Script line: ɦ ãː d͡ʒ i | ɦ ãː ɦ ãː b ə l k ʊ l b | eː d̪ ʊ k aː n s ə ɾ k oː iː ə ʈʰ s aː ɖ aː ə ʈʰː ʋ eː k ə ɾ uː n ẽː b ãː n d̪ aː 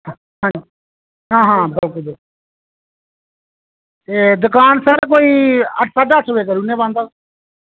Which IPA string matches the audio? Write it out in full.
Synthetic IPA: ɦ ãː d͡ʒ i | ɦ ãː ɦ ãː b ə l k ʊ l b | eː d̪ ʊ k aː n s ə ɾ k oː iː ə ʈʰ s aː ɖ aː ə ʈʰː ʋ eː k ə ɾ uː n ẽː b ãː n d̪ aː